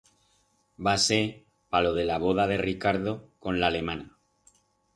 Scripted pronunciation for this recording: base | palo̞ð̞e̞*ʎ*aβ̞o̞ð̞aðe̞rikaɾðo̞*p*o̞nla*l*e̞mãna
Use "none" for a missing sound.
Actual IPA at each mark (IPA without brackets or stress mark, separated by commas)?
l, k, l